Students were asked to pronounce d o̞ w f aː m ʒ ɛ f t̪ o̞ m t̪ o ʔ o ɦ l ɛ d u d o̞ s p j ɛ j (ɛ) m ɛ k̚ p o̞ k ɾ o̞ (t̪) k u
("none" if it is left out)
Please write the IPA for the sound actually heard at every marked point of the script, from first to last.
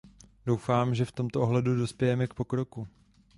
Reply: ɛ, none

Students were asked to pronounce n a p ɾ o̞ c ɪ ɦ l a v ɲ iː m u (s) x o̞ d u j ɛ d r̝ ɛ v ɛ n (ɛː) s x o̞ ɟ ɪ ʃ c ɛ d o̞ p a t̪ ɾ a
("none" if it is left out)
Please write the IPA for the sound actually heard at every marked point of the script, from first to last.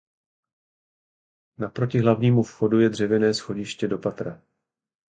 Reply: f, ɛː

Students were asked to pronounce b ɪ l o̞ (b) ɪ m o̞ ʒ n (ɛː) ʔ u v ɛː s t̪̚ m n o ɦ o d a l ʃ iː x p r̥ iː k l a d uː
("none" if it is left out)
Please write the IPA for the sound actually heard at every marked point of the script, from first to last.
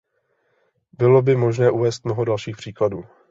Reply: b, ɛː

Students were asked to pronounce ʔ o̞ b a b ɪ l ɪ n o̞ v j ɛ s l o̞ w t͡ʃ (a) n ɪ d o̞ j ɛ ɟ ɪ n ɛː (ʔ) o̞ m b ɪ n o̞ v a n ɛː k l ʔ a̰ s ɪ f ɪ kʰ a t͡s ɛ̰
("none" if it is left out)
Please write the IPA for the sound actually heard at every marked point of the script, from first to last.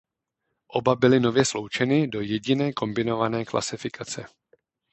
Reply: ɛ, k

